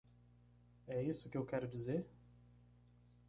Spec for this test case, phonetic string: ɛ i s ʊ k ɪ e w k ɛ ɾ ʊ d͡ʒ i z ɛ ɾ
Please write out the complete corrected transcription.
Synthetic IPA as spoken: ɛ i s ʊ k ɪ e w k ɛ ɾ ʊ d͡ʒ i z e ɾ